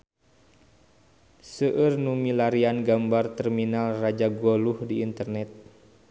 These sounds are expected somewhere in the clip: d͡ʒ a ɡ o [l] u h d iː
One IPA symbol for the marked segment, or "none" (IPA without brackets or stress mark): l